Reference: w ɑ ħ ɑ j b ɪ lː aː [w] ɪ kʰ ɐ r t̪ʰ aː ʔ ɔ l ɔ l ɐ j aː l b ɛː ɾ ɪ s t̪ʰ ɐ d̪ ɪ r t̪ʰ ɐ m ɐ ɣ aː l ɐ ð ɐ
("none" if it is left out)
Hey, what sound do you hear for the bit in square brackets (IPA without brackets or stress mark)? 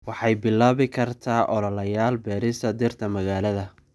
β